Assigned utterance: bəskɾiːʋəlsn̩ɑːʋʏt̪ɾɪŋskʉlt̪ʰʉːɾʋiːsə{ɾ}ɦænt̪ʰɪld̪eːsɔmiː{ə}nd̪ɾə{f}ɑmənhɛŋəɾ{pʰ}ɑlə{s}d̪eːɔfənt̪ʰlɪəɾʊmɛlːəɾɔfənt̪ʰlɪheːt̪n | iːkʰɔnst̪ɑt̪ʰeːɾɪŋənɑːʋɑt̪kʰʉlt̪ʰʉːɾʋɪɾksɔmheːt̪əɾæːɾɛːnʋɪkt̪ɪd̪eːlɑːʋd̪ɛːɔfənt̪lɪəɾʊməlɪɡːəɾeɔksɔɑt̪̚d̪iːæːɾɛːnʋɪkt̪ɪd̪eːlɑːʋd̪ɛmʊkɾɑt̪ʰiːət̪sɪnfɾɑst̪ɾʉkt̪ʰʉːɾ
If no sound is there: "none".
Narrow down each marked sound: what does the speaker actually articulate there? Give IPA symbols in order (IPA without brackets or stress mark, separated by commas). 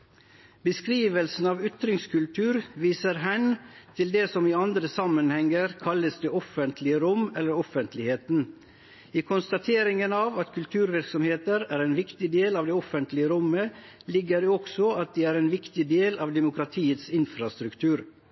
ɾ, ɑ, s, kʰ, s